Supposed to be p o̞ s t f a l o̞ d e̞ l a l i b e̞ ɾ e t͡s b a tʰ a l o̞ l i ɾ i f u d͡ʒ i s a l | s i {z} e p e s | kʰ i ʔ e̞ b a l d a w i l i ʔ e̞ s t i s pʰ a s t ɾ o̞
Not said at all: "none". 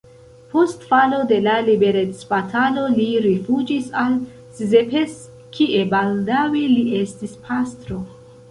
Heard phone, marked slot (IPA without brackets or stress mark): z